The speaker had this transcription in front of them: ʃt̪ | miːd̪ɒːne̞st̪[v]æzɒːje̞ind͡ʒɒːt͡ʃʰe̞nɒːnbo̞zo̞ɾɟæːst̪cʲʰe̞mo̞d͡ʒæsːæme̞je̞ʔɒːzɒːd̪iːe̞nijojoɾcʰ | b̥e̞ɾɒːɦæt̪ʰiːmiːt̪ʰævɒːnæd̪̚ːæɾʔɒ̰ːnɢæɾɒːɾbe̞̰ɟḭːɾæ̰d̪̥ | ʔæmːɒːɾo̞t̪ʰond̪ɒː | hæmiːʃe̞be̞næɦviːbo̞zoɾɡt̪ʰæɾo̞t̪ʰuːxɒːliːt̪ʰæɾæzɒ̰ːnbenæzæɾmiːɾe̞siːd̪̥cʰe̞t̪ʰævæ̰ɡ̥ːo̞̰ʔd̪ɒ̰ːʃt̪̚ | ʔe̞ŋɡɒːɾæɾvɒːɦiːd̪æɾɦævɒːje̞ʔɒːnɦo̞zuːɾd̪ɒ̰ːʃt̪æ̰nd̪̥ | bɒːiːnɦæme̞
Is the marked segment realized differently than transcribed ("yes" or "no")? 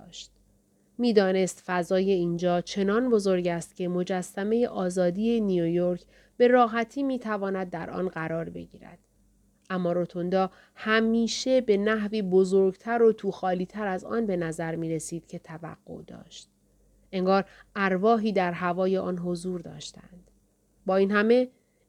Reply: yes